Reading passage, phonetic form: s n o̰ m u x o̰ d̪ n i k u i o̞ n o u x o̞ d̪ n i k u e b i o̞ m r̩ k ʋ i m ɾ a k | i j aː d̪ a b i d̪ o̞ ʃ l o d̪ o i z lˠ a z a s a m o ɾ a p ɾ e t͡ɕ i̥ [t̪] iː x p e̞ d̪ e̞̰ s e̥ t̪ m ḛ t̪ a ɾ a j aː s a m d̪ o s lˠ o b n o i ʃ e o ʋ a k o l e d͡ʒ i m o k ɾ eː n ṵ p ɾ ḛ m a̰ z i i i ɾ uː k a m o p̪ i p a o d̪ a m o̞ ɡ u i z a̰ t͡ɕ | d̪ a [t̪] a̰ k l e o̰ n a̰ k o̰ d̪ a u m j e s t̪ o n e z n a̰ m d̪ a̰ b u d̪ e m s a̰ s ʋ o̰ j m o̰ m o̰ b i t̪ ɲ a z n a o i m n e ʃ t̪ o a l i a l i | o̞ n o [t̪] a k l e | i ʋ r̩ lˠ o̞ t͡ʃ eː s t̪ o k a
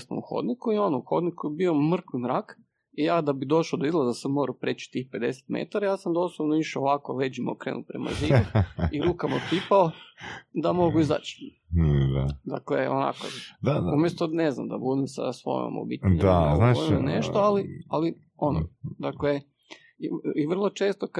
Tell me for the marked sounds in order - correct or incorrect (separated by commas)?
correct, incorrect, incorrect